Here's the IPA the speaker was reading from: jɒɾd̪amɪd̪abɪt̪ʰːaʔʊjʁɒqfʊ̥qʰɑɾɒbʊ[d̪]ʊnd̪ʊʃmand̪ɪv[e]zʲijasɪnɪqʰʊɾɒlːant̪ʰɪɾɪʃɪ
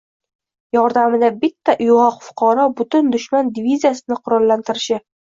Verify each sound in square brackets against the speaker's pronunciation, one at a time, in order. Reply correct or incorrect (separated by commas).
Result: incorrect, incorrect